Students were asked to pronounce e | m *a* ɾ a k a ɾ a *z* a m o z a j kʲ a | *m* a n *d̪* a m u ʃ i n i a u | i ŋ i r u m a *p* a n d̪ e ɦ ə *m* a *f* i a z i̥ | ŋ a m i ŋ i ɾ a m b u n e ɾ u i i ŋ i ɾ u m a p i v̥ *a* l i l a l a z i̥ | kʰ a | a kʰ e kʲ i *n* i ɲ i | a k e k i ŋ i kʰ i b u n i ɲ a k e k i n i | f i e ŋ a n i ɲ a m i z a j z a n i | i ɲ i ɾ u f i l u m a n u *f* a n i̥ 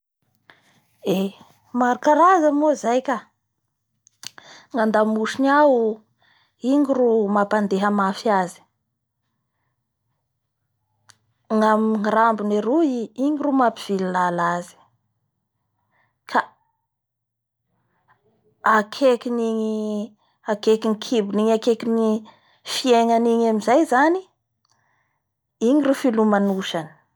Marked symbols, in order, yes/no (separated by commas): yes, yes, no, yes, yes, yes, yes, no, yes, no